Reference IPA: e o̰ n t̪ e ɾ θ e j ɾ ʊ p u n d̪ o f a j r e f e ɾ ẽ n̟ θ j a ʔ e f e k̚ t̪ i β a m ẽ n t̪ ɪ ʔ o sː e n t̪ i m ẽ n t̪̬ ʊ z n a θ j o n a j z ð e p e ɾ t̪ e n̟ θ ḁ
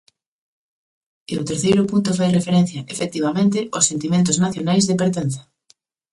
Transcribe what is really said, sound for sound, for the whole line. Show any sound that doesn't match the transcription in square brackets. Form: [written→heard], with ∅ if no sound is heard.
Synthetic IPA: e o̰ [n→∅] t̪ e ɾ θ e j ɾ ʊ p u n [d̪→t̪] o f a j r e f e ɾ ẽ n̟ θ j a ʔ e f e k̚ t̪ i β a m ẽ n t̪ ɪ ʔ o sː e n t̪ i m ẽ n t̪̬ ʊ z n a θ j o n a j z ð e p e ɾ t̪ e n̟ θ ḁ